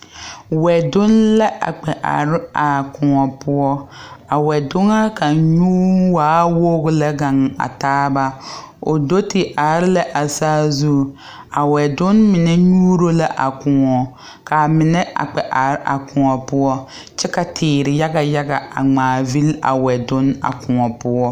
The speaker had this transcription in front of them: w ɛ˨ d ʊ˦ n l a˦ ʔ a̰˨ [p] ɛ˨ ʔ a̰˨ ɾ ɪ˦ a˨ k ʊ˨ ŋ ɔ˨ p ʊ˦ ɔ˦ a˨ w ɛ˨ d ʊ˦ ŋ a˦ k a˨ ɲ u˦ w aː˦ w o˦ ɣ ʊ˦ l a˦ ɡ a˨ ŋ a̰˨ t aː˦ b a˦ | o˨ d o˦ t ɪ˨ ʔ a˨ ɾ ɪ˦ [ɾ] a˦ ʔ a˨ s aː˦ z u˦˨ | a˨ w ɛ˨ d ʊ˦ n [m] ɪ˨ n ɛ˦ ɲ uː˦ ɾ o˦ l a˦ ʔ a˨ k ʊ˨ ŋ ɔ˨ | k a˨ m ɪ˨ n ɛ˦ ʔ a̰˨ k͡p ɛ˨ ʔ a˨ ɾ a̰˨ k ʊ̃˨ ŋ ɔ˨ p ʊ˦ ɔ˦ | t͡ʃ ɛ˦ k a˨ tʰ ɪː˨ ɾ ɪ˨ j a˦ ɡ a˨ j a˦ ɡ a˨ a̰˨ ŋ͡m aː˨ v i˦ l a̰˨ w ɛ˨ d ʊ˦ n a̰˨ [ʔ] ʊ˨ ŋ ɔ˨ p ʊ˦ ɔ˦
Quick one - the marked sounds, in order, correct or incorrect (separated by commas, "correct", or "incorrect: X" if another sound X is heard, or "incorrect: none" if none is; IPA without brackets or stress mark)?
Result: incorrect: k͡p, incorrect: l, correct, incorrect: k